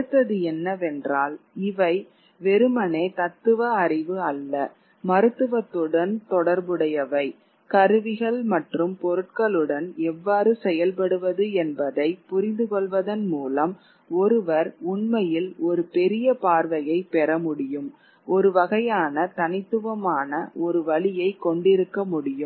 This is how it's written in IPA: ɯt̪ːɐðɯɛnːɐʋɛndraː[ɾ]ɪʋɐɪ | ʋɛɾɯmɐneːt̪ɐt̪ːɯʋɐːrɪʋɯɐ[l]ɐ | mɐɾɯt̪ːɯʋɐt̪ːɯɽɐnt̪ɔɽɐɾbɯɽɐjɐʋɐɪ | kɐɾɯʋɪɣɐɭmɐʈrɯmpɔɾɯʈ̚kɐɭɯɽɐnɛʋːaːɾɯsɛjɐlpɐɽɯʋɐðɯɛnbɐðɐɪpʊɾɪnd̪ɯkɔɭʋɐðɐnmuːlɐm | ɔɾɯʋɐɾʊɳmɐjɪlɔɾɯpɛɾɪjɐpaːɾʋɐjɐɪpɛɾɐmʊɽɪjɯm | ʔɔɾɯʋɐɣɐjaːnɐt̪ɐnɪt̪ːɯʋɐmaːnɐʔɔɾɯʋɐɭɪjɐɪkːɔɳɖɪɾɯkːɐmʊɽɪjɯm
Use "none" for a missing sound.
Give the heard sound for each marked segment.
l, lː

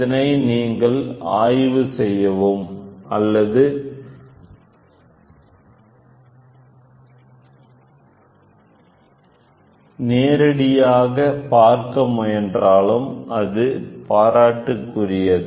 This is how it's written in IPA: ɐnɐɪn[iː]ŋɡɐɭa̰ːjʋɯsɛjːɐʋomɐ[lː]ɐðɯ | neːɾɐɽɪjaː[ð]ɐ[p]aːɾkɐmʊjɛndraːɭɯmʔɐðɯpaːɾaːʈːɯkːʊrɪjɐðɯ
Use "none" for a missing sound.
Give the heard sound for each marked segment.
iː, lː, ɣ, p

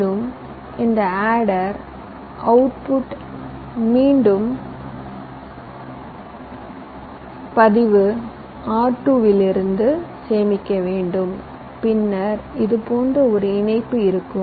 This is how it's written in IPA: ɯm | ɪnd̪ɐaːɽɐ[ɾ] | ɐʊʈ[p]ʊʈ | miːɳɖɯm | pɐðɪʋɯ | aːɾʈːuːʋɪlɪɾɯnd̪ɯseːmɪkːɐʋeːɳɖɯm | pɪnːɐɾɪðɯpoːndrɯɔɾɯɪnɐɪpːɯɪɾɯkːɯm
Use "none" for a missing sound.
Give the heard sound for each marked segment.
ɾ, p

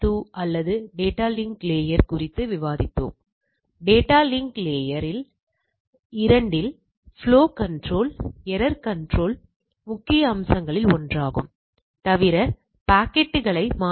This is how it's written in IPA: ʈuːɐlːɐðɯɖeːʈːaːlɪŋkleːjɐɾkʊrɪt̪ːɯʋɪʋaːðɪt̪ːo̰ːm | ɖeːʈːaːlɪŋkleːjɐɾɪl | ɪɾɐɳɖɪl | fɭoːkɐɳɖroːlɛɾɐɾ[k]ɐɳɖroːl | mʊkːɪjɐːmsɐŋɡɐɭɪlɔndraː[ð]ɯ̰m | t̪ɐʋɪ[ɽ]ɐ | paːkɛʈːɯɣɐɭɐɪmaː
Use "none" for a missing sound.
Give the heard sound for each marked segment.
k, ɣ, ɾ

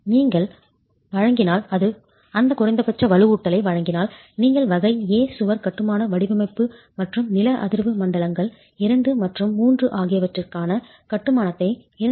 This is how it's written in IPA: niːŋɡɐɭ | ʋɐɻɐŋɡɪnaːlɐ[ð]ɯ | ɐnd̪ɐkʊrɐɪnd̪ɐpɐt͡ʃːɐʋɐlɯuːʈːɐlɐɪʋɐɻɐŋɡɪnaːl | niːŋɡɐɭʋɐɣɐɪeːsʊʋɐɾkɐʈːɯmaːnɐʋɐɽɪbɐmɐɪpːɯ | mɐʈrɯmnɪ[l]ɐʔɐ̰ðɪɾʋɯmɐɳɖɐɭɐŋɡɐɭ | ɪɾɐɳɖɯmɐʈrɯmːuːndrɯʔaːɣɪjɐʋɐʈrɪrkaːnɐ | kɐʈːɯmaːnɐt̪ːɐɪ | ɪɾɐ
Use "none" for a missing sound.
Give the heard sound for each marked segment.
ð, l

